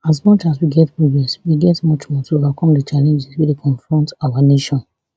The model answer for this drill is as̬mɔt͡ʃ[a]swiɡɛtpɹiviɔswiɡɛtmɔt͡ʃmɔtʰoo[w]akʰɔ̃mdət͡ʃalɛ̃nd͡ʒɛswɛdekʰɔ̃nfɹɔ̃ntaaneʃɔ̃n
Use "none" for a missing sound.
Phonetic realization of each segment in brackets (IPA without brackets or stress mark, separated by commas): a, v